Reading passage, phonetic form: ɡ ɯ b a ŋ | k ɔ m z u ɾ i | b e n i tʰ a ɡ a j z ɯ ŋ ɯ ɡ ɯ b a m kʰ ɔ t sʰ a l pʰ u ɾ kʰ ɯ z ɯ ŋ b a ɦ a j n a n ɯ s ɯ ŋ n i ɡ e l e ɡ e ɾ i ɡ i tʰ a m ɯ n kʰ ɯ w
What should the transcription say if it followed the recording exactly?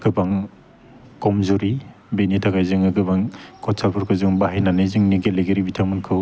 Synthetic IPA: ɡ ɯ b a ŋ | k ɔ m z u ɾ i | b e n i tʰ a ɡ a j z ɯ ŋ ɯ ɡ ɯ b a ŋ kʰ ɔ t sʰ a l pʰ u ɾ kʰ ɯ z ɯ ŋ b a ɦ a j n a n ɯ z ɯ ŋ n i ɡ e l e ɡ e ɾ i b i tʰ a m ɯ n kʰ ɯ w